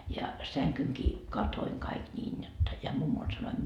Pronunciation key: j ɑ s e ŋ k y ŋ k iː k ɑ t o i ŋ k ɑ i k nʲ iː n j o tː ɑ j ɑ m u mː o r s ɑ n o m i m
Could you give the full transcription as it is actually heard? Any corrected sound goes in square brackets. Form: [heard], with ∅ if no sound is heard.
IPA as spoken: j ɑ s [æ] ŋ k y ŋ k iː k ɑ t o i ŋ k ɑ i k nʲ iː n j o tː ɑ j ɑ m u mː o [l] s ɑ n o [∅] i m